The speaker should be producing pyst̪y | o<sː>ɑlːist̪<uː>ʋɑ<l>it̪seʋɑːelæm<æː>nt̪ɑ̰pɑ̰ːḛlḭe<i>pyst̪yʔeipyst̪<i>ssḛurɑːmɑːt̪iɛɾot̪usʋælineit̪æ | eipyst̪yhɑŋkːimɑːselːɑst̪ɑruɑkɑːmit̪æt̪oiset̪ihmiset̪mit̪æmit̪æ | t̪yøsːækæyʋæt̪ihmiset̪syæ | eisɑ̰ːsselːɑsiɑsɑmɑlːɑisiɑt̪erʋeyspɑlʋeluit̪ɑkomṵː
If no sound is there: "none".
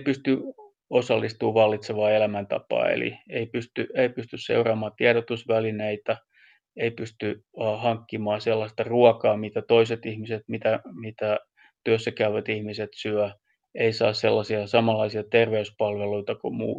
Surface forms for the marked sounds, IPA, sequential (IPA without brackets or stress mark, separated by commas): s, uː, lː, æ, i, y